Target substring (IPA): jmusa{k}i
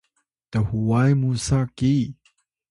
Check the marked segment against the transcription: correct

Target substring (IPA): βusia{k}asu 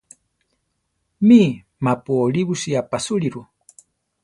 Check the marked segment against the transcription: incorrect: p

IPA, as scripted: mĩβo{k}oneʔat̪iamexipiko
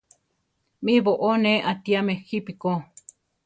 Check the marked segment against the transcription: incorrect: ʔ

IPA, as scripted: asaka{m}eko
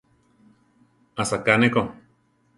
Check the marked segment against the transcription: incorrect: n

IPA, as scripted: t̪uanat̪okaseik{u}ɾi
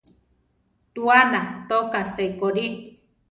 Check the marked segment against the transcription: incorrect: o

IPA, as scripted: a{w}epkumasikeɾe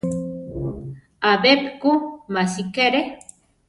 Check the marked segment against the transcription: incorrect: b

